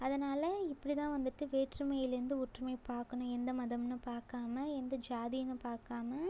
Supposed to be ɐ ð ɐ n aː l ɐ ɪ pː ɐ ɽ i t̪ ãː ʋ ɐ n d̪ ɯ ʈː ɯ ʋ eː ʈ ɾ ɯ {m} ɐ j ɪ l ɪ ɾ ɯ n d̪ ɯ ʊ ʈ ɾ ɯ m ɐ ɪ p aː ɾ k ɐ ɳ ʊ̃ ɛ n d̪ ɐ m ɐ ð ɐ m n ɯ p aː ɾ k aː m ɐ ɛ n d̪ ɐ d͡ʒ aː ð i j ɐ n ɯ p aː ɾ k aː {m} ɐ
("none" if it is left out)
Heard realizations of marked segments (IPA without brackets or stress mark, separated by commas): m, m